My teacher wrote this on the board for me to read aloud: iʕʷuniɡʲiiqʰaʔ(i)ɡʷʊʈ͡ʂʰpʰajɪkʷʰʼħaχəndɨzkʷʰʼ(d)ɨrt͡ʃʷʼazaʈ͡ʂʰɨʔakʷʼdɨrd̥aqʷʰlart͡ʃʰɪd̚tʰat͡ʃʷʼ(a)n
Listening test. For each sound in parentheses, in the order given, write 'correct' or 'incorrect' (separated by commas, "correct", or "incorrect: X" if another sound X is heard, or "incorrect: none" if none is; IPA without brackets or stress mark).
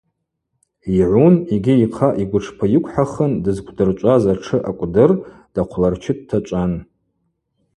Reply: correct, correct, correct